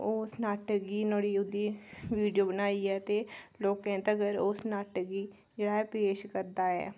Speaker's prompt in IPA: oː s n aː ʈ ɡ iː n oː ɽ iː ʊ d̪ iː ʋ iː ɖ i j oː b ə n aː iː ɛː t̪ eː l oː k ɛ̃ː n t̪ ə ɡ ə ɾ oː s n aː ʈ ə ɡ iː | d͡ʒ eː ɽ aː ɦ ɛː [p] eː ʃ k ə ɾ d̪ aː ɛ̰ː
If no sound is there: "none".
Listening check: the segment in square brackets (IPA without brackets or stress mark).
p